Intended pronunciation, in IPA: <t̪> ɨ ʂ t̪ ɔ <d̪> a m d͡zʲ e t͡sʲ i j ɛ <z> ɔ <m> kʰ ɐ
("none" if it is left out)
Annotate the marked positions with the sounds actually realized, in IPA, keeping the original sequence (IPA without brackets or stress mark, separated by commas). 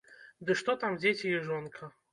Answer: d̪, t̪, ʐ, n